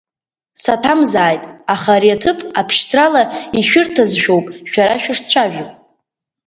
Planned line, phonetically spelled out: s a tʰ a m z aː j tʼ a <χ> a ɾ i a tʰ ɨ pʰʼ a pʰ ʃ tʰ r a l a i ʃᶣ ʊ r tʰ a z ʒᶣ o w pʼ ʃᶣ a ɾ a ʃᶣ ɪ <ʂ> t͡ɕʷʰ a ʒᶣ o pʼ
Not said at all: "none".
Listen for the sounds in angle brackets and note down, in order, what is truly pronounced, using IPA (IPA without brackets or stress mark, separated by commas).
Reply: χ, ʂ